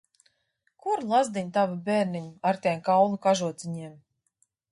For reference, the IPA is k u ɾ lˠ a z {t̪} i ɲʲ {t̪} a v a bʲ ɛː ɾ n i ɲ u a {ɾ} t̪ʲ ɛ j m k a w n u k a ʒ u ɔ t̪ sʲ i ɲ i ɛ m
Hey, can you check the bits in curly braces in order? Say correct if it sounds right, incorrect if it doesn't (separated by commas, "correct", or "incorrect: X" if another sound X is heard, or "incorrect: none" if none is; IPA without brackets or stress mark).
incorrect: d̪, correct, correct